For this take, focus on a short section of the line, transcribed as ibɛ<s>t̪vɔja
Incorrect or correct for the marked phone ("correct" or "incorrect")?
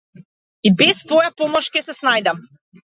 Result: correct